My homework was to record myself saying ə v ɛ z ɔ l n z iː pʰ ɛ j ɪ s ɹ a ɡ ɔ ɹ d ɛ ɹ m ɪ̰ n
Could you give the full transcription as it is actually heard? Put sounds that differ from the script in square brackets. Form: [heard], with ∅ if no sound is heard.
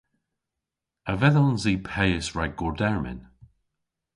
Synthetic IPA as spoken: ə v ɛ [ð] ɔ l n z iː pʰ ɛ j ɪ s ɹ a ɡ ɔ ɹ d ɛ ɹ m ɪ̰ n